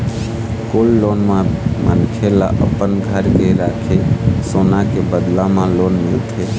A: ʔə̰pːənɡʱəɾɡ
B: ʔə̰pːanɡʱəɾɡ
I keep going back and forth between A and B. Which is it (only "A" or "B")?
A